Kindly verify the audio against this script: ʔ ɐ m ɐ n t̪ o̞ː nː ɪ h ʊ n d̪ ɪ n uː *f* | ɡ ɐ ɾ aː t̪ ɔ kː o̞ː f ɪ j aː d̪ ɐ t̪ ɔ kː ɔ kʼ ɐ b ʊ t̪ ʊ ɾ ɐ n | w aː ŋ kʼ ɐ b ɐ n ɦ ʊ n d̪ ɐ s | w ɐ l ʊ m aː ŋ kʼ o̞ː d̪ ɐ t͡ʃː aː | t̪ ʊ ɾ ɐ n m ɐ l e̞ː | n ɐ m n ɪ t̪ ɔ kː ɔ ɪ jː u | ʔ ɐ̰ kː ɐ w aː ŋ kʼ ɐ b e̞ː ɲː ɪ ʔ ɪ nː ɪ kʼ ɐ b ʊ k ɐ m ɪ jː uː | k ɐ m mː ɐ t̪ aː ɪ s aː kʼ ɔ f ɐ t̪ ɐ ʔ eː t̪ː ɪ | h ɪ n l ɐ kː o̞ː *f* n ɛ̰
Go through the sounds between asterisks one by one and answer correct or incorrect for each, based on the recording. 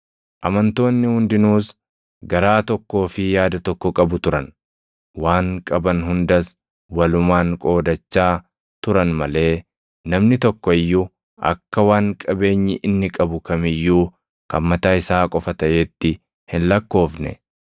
incorrect, correct

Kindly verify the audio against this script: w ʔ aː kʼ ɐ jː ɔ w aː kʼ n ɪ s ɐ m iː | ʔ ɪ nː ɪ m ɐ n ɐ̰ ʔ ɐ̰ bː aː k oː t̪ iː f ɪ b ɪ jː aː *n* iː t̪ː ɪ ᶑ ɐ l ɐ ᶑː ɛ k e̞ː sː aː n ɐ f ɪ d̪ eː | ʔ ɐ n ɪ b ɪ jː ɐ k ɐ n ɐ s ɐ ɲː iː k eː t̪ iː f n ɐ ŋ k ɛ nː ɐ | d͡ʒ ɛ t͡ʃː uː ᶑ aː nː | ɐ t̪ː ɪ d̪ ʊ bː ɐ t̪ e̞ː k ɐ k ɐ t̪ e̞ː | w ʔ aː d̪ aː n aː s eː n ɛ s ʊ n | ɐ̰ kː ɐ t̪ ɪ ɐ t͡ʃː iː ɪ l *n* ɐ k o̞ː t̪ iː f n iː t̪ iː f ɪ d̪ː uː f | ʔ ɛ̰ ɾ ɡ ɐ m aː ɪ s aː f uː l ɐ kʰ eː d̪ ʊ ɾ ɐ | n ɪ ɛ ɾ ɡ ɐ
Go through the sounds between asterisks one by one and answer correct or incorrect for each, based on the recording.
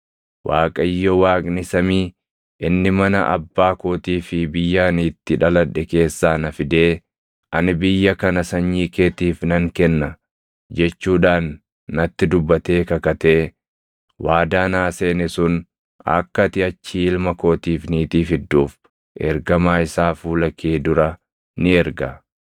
correct, incorrect

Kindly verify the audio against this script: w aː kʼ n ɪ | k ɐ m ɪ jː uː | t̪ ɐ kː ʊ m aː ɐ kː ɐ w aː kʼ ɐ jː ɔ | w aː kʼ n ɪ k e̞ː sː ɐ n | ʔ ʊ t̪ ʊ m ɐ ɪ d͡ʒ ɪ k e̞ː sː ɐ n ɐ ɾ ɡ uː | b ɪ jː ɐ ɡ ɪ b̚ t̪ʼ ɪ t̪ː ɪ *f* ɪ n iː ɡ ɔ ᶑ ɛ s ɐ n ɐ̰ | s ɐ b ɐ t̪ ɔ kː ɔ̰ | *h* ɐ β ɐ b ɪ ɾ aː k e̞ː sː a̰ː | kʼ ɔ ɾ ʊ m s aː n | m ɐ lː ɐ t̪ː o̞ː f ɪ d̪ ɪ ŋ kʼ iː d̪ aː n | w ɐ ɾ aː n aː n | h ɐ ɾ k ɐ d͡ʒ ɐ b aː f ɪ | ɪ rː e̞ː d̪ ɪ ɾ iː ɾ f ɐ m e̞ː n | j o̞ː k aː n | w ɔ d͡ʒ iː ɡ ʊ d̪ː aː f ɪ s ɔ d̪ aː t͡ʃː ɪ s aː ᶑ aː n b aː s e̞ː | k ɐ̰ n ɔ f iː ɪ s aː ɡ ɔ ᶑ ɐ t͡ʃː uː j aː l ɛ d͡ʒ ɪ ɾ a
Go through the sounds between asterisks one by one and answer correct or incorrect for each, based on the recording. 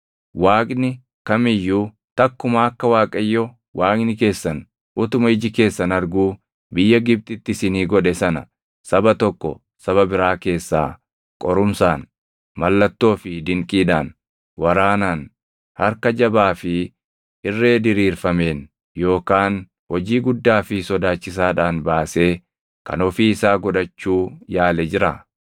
incorrect, incorrect

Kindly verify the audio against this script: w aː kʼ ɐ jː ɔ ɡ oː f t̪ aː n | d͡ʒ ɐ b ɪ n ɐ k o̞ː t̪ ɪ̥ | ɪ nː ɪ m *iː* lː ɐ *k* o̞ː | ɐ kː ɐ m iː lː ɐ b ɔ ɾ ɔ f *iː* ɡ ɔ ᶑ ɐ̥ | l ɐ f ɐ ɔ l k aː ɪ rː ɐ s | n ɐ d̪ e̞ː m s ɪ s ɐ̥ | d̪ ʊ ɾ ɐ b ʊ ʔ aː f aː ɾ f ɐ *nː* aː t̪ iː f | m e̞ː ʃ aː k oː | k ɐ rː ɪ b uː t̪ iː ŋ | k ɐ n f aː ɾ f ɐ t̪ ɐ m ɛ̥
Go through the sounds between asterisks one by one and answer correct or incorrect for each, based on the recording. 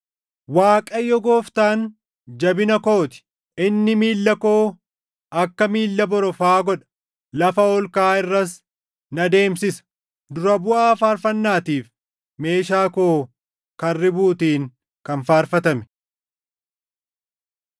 correct, correct, incorrect, correct

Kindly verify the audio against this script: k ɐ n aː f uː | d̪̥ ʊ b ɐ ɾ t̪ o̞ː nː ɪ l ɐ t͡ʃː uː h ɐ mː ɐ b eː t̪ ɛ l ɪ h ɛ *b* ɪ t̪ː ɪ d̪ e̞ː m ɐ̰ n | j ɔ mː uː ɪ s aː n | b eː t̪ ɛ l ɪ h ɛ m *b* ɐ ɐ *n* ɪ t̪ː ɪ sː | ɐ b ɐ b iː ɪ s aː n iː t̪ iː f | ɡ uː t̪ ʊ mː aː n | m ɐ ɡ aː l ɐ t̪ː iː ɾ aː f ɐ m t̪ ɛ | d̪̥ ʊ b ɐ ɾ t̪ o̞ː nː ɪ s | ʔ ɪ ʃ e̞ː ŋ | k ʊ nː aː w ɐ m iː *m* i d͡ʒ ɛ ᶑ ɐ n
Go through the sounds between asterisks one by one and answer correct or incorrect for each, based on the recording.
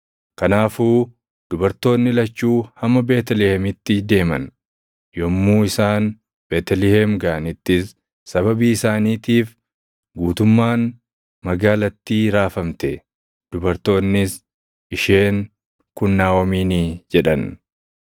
incorrect, incorrect, correct, incorrect

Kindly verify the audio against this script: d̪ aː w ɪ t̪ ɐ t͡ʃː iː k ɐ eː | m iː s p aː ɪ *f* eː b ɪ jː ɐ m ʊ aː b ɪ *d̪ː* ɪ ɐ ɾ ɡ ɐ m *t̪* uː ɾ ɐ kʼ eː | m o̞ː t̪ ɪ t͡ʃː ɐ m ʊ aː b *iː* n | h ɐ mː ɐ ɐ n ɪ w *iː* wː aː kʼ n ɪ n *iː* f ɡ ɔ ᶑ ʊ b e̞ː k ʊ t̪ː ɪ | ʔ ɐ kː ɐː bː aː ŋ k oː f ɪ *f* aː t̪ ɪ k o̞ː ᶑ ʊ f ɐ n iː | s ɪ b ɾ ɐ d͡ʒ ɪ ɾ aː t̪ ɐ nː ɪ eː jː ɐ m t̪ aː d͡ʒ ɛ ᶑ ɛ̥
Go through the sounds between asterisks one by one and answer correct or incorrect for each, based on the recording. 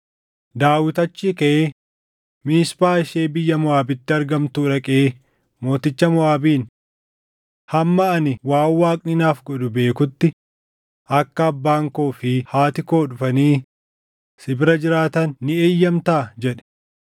incorrect, incorrect, correct, correct, incorrect, incorrect, incorrect

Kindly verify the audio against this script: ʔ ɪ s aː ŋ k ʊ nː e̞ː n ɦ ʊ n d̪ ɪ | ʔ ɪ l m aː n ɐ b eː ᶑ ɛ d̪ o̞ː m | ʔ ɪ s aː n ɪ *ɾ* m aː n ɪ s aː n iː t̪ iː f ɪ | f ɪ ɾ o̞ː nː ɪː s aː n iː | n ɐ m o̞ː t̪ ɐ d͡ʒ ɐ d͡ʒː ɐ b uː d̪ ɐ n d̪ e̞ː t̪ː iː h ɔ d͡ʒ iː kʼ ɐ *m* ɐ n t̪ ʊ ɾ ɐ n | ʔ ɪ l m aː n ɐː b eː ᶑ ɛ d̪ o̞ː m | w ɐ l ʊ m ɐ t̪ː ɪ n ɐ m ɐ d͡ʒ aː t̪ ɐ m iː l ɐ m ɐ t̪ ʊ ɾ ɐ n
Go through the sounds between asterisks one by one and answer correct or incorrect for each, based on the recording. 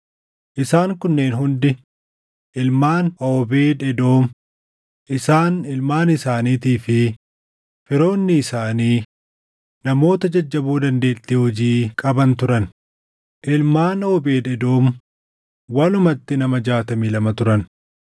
incorrect, incorrect

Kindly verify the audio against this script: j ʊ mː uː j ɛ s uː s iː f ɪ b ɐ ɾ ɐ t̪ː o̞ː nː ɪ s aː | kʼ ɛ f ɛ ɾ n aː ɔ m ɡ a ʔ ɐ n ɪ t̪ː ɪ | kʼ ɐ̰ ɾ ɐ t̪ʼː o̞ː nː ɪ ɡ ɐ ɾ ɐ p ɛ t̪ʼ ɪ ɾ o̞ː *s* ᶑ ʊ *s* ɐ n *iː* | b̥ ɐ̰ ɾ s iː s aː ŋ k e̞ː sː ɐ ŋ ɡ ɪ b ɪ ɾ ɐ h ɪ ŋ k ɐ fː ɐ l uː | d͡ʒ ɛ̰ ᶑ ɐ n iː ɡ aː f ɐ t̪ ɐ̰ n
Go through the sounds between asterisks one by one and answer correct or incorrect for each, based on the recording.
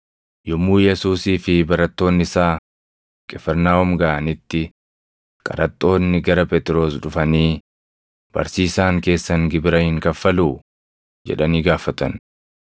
correct, incorrect, correct

